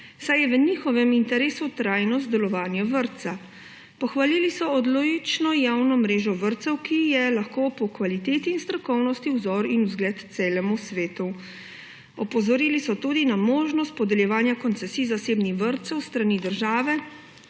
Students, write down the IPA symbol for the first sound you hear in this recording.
s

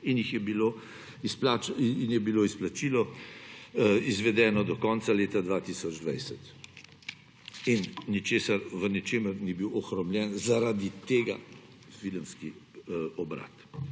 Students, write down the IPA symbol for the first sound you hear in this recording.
i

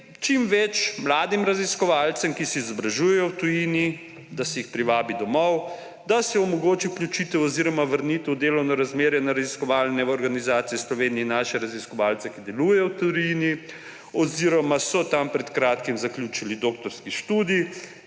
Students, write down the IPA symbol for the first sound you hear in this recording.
t͡ʃ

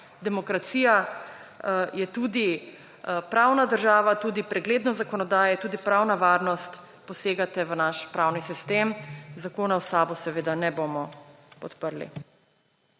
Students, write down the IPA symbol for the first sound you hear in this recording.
d̪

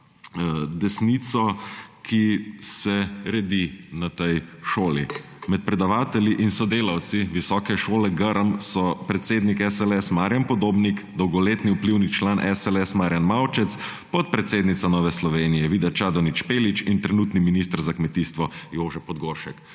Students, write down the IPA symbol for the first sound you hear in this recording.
d̪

